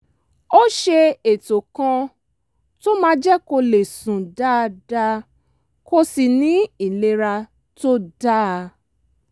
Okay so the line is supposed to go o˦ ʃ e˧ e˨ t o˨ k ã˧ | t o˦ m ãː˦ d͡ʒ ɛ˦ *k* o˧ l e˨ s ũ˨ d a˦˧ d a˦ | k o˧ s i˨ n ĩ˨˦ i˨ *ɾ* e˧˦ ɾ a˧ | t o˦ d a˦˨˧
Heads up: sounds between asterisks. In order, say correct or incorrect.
correct, incorrect: l

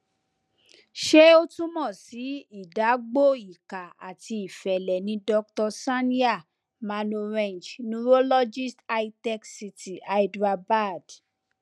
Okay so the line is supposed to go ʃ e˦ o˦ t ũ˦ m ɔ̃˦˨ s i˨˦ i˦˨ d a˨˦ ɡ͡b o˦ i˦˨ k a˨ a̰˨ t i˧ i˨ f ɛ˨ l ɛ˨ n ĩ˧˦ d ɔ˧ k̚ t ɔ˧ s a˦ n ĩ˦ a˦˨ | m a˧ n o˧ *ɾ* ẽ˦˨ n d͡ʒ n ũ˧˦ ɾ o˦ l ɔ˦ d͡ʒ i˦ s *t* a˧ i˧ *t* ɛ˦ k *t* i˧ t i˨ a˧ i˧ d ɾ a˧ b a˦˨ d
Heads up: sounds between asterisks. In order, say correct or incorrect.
correct, correct, correct, incorrect: s

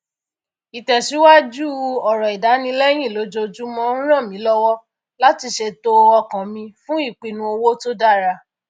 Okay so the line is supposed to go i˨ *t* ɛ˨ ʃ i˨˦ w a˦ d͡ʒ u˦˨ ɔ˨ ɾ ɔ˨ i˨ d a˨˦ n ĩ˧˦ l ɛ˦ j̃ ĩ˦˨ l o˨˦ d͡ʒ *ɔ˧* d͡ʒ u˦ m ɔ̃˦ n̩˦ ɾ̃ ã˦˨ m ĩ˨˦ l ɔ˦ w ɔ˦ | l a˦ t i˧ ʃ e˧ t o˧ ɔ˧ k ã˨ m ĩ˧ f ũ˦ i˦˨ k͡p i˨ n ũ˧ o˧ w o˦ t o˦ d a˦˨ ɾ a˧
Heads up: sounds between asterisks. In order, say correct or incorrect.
correct, incorrect: o˧

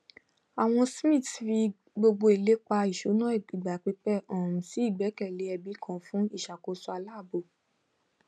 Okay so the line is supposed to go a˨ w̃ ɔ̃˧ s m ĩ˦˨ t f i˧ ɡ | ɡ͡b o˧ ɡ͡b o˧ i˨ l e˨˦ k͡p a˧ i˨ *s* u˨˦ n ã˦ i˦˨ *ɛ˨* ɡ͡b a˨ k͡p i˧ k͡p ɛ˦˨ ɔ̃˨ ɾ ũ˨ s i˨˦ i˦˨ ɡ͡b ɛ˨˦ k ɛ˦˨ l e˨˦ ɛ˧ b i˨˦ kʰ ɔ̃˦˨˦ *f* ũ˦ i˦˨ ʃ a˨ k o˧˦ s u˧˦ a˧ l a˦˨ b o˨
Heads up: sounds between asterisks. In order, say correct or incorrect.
incorrect: ʃ, incorrect: i˨, correct

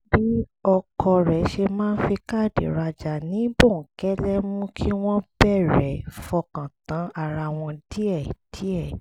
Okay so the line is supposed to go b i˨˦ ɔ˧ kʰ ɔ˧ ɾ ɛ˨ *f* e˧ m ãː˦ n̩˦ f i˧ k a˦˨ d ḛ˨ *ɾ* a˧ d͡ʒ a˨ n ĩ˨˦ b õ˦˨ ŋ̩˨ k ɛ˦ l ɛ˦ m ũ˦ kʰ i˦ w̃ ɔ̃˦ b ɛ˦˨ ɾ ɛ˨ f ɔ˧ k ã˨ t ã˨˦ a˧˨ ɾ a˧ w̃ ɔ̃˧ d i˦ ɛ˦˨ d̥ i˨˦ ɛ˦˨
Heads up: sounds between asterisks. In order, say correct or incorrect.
incorrect: ʃ, correct

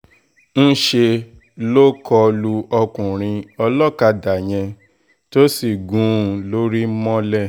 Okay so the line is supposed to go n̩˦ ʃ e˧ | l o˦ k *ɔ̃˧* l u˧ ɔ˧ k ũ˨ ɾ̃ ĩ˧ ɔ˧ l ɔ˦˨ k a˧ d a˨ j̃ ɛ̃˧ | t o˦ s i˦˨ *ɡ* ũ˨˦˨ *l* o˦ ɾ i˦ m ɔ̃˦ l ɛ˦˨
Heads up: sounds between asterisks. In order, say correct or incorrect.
incorrect: ɔ˧, correct, correct

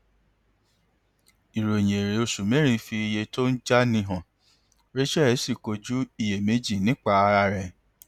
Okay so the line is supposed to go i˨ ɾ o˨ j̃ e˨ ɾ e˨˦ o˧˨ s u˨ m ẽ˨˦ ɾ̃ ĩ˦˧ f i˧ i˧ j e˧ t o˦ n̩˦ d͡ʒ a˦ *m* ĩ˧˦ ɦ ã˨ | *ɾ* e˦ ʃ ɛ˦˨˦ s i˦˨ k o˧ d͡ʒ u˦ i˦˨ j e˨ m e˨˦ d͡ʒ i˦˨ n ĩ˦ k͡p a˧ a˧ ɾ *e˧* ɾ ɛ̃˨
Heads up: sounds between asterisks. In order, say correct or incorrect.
incorrect: n, correct, incorrect: a˧

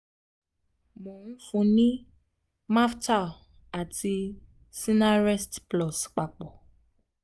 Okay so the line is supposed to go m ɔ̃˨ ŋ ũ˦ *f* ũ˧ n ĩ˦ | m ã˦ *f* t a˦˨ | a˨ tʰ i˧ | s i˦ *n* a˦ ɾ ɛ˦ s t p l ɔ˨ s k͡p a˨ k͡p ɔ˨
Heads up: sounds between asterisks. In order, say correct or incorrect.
correct, correct, correct

